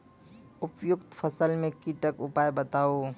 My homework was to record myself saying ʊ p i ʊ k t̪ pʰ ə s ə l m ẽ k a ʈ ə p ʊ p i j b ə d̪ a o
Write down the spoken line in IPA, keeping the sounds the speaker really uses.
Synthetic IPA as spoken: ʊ p j ʊ k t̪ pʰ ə s ə l m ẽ k i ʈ ə k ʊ p a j b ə t̪ a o